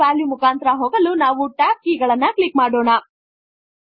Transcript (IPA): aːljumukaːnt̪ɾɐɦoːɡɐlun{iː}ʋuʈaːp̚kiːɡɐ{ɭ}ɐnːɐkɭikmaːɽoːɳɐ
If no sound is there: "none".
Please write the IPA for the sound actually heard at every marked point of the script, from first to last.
aː, ɭ

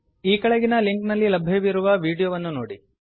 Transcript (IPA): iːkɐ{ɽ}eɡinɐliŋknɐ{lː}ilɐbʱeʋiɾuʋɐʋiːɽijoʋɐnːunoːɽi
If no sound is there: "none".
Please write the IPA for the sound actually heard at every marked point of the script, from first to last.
ɭ, lː

